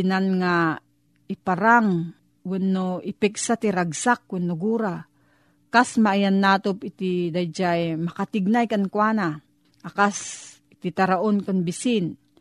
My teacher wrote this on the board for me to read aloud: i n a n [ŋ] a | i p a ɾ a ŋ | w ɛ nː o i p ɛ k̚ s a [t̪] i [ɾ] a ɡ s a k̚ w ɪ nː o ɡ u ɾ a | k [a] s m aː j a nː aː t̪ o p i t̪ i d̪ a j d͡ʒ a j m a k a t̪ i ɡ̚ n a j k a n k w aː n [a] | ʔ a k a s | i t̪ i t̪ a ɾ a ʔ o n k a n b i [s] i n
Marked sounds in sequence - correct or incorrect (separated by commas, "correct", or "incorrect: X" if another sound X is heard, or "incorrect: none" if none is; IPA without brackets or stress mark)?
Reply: correct, correct, correct, correct, correct, correct